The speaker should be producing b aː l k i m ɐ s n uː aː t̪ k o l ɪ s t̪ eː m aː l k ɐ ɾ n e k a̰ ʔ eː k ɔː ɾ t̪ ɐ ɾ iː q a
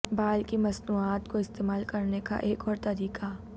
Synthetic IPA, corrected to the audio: b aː l k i m ɐ s n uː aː t̪ k o ɪ s t̪ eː m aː l k ɐ ɾ n e k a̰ ʔ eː k ɔː ɾ t̪ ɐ ɾ iː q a